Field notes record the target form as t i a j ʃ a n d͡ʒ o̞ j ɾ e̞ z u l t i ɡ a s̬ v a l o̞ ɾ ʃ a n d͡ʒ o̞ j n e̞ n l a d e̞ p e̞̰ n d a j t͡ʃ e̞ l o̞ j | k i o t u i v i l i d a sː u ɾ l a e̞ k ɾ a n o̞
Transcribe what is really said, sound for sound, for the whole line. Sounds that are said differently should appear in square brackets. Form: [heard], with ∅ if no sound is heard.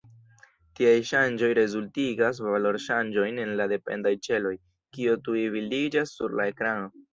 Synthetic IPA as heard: t i a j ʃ a n d͡ʒ o̞ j ɾ e̞ z u l t i ɡ a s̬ v a l o̞ ɾ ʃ a n d͡ʒ o̞ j n e̞ n l a d e̞ p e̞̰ n d a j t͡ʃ e̞ l o̞ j | k i o t u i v i l i [d͡ʒ] a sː u ɾ l a e̞ k ɾ a n o̞